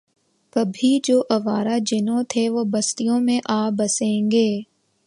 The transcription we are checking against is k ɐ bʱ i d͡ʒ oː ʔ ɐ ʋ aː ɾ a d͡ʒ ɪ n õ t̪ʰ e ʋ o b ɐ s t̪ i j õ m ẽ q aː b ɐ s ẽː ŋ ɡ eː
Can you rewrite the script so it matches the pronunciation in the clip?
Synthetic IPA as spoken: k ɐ bʱ i d͡ʒ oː ʔ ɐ ʋ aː ɾ a d͡ʒ ɪ n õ t̪ʰ e ʋ o b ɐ s t̪ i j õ m ẽ ʔ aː b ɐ s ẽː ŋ ɡ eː